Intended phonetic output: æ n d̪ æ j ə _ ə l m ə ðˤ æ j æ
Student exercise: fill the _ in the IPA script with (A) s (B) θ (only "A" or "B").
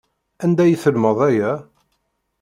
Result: B